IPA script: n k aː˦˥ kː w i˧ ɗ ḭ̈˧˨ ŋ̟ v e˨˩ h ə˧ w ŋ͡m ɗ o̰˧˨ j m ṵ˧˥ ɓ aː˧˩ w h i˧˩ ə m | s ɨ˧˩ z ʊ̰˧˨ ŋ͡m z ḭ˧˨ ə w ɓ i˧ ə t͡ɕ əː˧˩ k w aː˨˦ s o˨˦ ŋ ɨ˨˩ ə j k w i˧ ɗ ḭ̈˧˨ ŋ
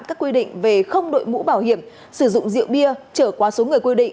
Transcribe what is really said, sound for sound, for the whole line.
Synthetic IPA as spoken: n k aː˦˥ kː w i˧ ɗ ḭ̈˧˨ ŋ̟ v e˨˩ x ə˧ w ŋ͡m ɗ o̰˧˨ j m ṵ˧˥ ɓ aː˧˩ w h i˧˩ ə m | s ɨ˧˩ z ʊ̰˧˨ ŋ͡m z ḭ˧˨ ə w ɓ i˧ ə t͡ɕ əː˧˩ k w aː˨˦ s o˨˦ ŋ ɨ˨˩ ə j k w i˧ ɗ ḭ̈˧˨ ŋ